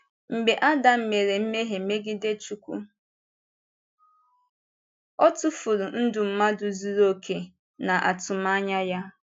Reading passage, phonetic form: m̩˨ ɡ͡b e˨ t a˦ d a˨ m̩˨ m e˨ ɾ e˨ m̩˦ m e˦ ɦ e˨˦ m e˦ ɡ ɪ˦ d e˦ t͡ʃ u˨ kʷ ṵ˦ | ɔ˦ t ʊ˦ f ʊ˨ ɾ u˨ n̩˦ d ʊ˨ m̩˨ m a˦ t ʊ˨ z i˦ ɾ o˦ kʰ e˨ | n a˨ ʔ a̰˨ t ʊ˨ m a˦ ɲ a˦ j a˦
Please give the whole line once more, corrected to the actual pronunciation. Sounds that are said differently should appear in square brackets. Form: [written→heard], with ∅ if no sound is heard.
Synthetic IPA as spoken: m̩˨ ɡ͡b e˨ [t→ʔ] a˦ d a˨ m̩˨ m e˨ ɾ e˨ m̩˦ m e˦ ɦ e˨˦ m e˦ ɡ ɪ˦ d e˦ t͡ʃ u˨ kʷ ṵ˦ | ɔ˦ t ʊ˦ f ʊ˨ ɾ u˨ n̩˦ d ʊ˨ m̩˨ m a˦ [t→d] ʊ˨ z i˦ ɾ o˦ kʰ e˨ | n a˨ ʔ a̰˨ t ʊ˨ m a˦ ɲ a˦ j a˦

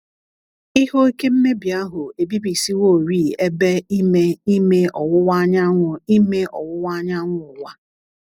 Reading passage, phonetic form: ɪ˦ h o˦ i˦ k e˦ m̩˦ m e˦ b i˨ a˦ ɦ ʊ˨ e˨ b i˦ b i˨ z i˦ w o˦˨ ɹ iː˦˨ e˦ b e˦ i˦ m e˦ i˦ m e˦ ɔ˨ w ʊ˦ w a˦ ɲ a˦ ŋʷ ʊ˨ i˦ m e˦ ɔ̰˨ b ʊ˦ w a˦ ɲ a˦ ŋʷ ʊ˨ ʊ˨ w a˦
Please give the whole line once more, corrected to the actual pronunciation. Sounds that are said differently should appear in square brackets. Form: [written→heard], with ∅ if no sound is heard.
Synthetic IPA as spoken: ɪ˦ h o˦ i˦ k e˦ m̩˦ m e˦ b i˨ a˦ ɦ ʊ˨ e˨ b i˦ b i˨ [z→s] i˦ w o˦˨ [ɹ→ɾ] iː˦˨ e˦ b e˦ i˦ m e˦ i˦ m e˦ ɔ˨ w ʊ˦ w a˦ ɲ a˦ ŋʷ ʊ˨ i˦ m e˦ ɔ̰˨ [b→w] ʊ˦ w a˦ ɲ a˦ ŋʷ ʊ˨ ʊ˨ w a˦

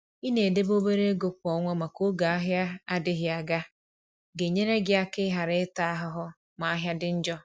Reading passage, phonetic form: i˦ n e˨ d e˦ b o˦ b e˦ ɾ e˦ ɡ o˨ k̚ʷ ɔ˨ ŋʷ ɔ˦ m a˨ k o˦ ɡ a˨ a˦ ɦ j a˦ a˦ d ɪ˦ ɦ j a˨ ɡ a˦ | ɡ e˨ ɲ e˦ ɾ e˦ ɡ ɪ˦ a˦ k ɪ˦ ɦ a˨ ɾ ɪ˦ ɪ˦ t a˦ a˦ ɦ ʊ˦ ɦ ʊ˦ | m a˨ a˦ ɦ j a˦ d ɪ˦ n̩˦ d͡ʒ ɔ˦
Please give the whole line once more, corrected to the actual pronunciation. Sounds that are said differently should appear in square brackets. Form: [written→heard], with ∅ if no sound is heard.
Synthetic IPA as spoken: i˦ n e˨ d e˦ b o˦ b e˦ ɾ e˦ ɡ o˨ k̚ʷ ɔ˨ ŋʷ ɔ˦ m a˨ k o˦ ɡ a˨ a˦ ɦ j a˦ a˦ d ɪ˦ ɦ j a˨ ɡ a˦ | ɡ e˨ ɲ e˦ ɾ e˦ ɡ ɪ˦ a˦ k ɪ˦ ɦ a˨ ɾ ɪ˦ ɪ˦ t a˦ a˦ ɦ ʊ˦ ɦ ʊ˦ | m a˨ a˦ ɦ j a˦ d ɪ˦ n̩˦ d͡ʒ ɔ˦

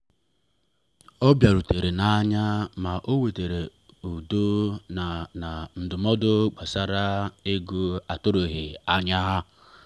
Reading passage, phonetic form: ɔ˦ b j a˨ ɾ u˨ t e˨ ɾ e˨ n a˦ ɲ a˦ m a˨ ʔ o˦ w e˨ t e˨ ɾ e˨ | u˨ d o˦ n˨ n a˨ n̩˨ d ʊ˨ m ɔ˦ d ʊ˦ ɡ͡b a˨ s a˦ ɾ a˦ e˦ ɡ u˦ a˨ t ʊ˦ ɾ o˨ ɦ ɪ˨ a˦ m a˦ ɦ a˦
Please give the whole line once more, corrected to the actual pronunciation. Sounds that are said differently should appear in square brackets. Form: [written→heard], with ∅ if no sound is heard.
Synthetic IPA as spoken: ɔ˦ b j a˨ ɾ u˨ t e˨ ɾ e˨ n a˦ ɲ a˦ m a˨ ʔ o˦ w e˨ t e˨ ɾ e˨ | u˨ d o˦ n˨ n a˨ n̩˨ d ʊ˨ m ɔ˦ d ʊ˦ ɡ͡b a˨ s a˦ ɾ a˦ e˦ ɡ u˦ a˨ t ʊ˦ ɾ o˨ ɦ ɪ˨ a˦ [m→ɲ] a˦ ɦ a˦

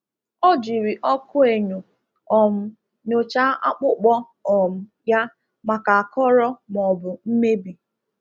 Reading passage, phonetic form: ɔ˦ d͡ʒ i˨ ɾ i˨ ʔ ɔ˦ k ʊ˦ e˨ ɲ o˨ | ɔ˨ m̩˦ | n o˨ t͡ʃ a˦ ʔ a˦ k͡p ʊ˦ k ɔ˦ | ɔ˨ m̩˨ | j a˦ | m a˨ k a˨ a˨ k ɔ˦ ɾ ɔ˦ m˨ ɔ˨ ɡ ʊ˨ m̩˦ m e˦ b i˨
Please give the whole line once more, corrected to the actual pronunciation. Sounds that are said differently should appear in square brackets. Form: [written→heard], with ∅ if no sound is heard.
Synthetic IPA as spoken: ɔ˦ d͡ʒ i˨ ɾ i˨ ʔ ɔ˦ k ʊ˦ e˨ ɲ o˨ | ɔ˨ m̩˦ | n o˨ t͡ʃ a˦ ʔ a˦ k͡p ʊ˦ [k→k͡p] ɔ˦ | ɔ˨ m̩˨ | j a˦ | m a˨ k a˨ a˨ k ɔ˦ ɾ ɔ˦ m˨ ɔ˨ [ɡ→b] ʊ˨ m̩˦ m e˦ b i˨

